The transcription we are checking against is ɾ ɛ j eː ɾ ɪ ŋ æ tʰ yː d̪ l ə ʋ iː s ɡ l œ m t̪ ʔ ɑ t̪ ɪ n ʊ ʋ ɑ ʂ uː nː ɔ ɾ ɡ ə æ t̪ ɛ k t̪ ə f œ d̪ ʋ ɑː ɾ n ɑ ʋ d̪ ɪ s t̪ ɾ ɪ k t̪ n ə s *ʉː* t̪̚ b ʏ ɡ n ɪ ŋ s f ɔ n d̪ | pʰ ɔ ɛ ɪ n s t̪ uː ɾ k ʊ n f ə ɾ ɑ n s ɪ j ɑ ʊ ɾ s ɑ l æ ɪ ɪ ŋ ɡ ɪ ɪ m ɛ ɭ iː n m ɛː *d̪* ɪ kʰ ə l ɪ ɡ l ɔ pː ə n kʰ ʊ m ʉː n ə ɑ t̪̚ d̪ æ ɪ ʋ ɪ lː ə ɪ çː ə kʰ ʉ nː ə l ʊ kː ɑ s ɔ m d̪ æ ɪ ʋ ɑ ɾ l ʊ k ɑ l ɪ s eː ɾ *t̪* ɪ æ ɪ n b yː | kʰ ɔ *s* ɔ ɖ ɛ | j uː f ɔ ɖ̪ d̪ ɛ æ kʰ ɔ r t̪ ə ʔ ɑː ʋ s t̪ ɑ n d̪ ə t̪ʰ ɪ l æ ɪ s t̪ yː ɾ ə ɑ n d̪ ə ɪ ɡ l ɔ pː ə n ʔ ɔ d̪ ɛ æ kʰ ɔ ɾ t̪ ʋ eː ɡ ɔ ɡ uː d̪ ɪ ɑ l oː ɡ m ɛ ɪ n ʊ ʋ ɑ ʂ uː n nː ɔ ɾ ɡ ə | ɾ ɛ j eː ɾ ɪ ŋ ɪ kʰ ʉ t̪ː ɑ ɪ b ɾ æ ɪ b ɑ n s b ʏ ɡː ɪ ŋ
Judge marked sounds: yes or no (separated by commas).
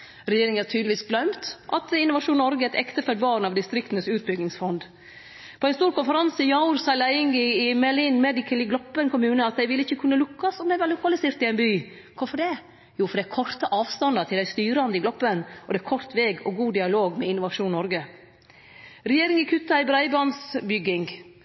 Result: yes, yes, yes, no